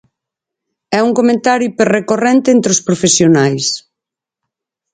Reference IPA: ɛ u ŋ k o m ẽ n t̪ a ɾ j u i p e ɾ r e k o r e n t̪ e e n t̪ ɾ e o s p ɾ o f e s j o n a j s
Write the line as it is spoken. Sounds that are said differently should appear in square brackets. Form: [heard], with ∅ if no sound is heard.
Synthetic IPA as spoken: ɛ u ŋ k o m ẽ n t̪ a ɾ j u i p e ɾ r e k o r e n t̪ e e n t̪ ɾ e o s p ɾ o f e s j o n a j s